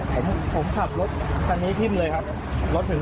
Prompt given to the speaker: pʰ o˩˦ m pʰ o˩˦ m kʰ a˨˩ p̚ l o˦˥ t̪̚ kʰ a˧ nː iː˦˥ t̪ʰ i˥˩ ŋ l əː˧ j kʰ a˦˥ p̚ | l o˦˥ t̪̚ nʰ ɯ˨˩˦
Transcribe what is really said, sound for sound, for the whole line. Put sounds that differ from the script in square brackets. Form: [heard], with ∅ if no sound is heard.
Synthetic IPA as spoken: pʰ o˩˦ m pʰ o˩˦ m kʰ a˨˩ p̚ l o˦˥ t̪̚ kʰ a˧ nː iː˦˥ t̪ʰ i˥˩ [m] l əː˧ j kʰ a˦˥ p̚ | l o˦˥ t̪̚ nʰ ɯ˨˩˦